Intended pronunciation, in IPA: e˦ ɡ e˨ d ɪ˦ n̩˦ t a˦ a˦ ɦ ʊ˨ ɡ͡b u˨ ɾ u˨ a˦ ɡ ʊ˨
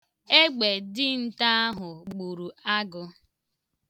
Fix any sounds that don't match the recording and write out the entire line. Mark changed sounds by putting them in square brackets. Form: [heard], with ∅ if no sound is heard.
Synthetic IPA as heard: e˦ [ɡ͡b] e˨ d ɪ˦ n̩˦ t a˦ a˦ ɦ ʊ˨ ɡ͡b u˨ ɾ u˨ a˦ ɡ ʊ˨

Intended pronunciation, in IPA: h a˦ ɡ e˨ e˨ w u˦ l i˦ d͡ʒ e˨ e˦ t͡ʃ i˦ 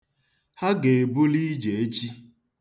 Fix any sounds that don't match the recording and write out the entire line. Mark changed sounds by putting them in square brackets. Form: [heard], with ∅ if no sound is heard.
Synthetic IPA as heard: h a˦ ɡ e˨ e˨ [b] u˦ l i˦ d͡ʒ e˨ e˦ t͡ʃ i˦

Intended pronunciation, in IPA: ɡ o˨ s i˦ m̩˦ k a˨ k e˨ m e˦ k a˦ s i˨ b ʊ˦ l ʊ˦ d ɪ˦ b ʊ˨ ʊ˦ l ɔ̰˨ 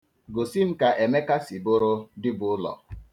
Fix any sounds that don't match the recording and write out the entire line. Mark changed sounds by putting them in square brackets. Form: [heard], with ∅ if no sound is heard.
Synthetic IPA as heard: ɡ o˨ s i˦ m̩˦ k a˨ [ʔ] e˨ m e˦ k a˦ s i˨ b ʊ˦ [ɾ] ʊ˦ d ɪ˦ b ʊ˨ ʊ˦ l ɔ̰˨

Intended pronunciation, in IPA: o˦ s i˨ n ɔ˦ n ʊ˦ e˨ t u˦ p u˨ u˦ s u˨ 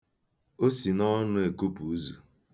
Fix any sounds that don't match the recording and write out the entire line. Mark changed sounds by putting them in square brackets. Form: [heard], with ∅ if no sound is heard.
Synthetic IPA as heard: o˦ s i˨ n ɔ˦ n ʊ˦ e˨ [k] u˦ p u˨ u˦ [z] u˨

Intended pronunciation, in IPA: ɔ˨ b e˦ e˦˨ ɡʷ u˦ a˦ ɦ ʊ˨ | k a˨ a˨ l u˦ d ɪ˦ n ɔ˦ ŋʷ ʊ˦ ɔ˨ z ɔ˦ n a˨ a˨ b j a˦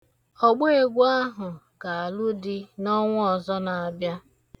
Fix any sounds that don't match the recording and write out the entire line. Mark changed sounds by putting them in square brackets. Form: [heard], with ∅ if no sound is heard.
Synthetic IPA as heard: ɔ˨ [ɡ͡b] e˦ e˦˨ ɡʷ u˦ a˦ ɦ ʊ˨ | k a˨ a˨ l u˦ d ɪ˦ n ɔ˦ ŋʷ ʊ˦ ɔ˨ z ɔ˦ n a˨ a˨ b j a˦

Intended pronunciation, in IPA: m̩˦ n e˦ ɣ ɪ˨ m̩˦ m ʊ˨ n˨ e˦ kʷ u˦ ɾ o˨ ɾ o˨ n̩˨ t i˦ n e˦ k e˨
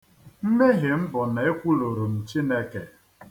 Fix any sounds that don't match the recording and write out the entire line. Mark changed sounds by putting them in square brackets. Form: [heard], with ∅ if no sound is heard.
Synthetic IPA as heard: m̩˦ [m] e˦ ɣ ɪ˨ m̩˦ [b] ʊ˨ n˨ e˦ kʷ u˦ [l] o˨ ɾ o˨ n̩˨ [t͡ʃ] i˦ n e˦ k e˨

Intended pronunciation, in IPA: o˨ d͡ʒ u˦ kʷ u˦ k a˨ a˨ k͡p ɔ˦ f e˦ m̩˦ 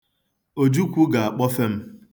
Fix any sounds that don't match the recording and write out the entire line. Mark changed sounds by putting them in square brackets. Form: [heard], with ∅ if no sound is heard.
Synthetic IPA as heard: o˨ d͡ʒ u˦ kʷ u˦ [ɡ] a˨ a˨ k͡p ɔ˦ f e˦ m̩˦

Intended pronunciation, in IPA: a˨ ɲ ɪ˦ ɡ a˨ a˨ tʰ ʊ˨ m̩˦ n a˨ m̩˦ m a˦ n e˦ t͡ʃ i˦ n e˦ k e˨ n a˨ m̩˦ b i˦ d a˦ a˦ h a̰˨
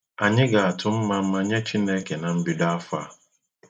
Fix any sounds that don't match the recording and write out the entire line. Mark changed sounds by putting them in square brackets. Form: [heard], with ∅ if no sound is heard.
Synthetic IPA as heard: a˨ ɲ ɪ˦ ɡ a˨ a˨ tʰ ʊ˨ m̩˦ [m] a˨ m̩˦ m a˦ [ɲ] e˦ t͡ʃ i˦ n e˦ k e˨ n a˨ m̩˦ b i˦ d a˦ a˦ [f] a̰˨

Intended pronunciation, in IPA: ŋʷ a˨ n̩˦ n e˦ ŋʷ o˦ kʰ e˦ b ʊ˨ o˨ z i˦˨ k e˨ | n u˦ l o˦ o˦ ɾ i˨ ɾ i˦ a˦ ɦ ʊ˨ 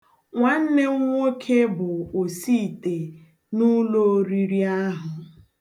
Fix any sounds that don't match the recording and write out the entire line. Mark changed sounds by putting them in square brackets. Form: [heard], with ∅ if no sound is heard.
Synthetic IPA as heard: ŋʷ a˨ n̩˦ n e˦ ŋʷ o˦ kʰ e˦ b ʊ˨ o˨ [s] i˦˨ [t] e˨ | n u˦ l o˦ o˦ ɾ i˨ ɾ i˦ a˦ ɦ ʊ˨

